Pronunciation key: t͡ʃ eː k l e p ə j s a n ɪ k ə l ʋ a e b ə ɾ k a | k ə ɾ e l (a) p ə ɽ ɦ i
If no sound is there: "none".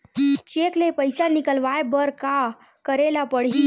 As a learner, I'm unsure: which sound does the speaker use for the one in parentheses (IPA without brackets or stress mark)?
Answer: a